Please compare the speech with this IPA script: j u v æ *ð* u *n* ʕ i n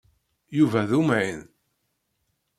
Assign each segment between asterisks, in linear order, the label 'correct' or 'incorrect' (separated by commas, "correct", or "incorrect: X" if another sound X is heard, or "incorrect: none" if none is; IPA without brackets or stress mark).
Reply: correct, incorrect: m